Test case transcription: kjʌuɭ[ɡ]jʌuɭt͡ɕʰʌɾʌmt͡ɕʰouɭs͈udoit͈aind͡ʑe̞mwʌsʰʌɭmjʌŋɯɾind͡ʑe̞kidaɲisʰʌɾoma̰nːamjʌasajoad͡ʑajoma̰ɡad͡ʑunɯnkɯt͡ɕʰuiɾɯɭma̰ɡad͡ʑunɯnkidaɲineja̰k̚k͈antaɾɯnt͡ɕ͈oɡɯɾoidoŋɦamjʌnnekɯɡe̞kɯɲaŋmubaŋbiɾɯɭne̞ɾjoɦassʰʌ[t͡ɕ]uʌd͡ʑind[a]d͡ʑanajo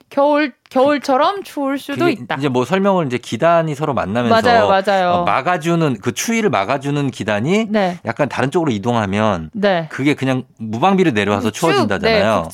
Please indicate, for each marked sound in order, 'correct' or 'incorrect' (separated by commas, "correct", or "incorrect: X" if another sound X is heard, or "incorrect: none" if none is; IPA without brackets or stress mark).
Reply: incorrect: k, incorrect: t͡ɕʰ, correct